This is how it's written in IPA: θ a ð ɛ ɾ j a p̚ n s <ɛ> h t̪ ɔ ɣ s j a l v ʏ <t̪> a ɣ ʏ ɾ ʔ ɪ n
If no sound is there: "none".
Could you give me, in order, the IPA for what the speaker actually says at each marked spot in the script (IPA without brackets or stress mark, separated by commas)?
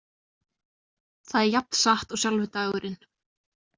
a, t̪